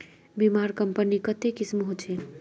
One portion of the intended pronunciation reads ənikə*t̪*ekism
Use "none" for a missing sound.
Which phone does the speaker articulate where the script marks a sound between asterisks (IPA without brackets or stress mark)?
t̪